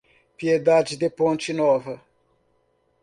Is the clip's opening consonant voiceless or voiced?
voiceless